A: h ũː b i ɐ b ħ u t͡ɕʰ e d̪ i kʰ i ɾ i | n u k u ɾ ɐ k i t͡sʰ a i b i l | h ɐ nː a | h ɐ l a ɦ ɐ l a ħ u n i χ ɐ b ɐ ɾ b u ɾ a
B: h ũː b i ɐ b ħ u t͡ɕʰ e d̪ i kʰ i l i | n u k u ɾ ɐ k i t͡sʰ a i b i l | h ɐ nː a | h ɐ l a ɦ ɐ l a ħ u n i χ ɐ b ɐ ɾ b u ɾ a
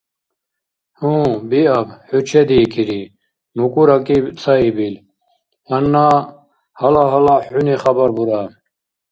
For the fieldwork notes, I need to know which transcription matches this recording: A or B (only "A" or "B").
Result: A